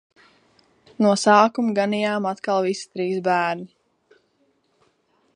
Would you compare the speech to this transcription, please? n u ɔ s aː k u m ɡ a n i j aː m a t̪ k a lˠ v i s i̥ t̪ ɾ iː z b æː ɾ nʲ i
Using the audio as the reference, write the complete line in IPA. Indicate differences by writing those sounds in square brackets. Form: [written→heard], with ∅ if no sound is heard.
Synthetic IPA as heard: n u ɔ s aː k u m ɡ a n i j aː m a t̪ k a lˠ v i s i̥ t̪ ɾ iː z b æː ɾ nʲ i